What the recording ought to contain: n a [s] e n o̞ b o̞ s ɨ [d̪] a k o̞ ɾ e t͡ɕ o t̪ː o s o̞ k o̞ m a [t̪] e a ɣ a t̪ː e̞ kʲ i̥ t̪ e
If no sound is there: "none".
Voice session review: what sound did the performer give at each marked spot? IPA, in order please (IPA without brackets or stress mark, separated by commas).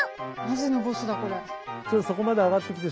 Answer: z, d̪, d̪